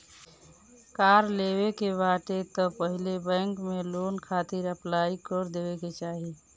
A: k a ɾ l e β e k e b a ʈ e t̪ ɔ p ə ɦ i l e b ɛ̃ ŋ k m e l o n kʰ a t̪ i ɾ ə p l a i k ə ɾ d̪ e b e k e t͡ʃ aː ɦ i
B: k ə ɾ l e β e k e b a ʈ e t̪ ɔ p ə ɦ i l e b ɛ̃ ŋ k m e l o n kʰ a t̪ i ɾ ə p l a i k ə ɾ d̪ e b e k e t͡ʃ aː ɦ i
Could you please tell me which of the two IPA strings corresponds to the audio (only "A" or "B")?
A